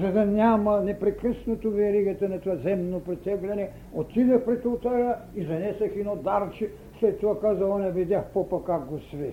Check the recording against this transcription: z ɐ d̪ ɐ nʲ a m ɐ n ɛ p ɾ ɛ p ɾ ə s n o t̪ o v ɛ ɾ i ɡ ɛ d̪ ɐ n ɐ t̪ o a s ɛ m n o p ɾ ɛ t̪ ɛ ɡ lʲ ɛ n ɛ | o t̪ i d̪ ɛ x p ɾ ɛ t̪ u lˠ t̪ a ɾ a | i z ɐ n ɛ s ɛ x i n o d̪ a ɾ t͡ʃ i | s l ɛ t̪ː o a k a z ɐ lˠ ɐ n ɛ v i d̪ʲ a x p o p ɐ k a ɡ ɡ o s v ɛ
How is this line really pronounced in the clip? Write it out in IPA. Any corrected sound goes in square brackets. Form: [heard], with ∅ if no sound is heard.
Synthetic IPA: z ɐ d̪ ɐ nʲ a m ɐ n ɛ p ɾ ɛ [k] ɾ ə s n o t̪ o v ɛ ɾ i ɡ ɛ [t̪] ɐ n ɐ t̪ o a [z] ɛ m n o p ɾ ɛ t̪ ɛ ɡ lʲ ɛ n ɛ | o t̪ i d̪ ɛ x p ɾ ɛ t̪ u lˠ t̪ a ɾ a | i z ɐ n ɛ s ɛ x i n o d̪ a ɾ t͡ʃ i | s l ɛ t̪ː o a k a z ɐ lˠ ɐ n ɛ v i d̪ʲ a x p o p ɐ k a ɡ ɡ o s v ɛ